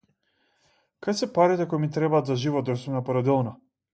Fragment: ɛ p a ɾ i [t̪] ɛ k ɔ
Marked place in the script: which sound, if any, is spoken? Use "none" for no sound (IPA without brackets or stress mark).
t̪